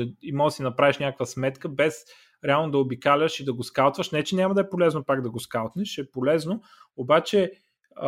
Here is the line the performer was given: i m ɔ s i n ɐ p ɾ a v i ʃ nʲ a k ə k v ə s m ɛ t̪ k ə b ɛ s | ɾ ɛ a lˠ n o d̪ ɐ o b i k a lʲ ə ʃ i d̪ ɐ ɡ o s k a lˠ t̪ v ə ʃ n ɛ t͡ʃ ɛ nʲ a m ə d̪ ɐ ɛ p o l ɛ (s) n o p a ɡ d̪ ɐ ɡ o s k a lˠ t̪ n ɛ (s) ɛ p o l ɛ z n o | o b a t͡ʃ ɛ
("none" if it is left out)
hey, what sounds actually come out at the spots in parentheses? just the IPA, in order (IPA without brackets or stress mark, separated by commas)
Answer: z, ʃ